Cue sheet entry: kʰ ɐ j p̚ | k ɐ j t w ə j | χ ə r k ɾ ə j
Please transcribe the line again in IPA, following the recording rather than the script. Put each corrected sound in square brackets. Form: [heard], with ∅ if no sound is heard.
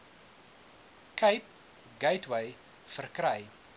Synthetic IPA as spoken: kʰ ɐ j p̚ | [ɡ] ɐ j t w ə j | [f] ə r k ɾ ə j